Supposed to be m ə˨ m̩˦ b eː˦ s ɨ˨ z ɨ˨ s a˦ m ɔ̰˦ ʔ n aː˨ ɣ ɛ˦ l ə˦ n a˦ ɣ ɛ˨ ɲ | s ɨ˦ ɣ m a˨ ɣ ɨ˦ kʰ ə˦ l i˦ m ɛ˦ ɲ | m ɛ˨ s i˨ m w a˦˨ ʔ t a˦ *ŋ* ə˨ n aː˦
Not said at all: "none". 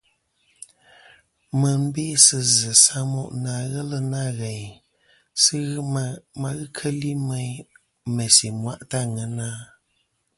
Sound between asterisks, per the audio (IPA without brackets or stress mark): ŋ